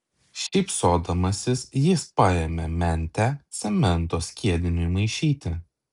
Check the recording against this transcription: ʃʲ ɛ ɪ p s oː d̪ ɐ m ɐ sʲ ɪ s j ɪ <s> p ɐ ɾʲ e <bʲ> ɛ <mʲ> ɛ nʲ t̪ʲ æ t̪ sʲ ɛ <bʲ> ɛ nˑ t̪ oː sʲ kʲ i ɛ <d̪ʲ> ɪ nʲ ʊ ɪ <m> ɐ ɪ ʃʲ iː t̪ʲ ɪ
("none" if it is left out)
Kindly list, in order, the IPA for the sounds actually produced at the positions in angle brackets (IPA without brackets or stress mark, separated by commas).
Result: s, mʲ, mʲ, mʲ, d̪ʲ, m